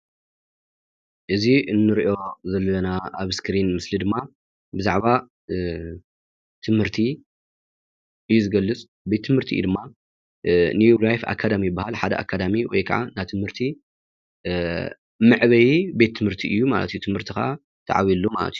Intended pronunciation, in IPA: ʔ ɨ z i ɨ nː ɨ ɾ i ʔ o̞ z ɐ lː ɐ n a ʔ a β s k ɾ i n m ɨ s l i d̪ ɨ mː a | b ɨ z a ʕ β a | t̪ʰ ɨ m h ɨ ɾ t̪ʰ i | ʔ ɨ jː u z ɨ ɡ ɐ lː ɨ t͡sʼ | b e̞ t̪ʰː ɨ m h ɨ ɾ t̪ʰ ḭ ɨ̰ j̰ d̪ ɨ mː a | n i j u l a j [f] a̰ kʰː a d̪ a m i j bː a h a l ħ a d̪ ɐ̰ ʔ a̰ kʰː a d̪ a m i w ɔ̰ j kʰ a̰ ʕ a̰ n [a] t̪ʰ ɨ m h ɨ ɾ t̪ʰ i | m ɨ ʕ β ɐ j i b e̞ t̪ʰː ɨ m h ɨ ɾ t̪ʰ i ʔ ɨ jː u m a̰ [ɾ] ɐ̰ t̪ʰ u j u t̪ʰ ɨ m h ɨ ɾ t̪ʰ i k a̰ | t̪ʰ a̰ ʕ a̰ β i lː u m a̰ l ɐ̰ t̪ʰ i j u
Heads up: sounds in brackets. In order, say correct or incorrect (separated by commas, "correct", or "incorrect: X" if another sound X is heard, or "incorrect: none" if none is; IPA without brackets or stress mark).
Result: correct, correct, incorrect: l